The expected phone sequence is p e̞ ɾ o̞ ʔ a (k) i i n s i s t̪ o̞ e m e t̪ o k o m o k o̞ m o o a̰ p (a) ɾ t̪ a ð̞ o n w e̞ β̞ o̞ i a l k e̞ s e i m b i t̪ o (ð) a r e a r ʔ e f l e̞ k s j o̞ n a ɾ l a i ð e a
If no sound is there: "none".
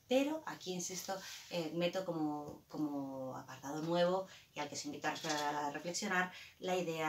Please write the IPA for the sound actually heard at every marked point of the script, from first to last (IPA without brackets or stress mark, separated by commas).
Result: k, a, none